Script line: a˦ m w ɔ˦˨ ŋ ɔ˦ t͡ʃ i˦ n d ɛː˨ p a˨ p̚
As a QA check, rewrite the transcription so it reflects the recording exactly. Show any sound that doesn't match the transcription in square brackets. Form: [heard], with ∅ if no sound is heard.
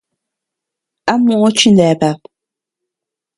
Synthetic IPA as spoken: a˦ m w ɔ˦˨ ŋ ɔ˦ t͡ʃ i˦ n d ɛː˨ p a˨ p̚